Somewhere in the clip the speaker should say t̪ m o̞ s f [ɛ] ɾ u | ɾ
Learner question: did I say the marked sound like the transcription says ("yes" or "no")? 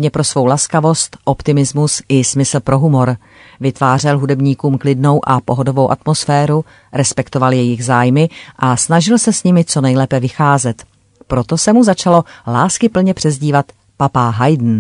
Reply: no